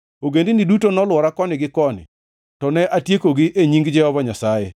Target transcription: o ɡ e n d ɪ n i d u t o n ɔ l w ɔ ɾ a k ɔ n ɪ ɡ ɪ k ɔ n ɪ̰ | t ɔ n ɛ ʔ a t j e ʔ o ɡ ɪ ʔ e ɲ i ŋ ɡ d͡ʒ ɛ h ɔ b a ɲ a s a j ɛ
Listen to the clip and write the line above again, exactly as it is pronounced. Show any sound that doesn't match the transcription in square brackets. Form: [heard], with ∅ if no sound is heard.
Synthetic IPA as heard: o ɡ e n d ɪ n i d u t o n ɔ l w ɔ ɾ a k ɔ n ɪ ɡ ɪ k ɔ n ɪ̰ | t ɔ n ɛ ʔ a t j e [k] o ɡ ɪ ʔ e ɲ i ŋ ɡ d͡ʒ ɛ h ɔ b a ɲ a s a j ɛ